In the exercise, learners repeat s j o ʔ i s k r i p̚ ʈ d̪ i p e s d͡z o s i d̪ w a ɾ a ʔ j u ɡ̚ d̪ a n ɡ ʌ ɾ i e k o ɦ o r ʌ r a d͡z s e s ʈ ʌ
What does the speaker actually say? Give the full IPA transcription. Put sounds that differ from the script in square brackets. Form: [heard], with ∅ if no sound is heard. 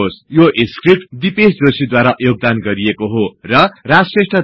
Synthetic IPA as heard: s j o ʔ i s k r i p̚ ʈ d̪ i p e s d͡z o s i d̪ w a ɾ a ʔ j [o] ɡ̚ d̪ a n ɡ ʌ ɾ i e k o ɦ o r ʌ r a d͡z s e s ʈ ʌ